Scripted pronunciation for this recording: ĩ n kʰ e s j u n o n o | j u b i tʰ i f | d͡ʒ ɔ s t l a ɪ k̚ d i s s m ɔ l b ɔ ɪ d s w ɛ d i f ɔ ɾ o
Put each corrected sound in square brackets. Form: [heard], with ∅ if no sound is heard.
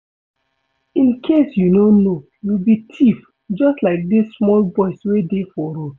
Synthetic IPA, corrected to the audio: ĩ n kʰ e s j u n o n o | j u b i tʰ i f | d͡ʒ ɔ s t l a ɪ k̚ d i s s m ɔ l b ɔ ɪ [∅] s w [e] d [e] f ɔ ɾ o